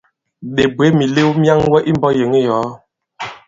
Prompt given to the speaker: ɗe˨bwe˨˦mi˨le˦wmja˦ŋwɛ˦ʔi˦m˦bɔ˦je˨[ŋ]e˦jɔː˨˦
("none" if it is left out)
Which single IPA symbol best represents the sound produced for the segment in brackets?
ŋ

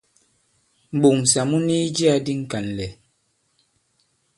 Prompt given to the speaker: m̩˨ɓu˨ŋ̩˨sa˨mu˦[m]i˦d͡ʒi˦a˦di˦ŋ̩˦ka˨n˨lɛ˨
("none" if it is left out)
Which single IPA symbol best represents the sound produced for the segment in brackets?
n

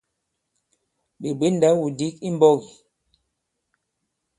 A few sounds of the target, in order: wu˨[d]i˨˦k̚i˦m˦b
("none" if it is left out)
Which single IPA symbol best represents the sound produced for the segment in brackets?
d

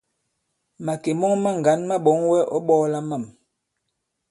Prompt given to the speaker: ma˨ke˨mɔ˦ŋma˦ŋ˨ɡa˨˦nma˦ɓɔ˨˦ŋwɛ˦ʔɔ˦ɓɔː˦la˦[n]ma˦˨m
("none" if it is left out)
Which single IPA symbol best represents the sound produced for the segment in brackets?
none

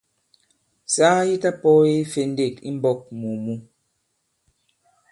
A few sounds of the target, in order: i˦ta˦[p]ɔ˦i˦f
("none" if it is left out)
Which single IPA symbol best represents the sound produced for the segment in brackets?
p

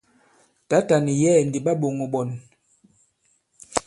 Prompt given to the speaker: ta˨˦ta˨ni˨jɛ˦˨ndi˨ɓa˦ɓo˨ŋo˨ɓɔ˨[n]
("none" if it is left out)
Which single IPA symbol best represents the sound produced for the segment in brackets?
n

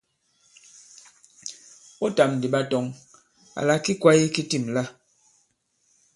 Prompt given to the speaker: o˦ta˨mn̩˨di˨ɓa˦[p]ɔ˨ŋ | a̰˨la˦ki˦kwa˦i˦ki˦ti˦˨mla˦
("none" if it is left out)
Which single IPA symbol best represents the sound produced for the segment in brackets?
t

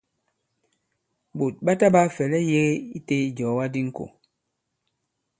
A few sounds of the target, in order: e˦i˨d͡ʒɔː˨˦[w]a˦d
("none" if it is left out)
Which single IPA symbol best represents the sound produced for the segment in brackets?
w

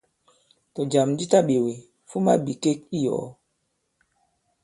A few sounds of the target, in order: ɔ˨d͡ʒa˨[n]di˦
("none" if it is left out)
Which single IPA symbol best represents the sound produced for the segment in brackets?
m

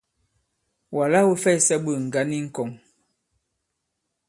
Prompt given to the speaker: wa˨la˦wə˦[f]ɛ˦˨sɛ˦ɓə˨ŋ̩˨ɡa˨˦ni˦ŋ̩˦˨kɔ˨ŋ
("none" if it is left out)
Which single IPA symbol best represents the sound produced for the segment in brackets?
f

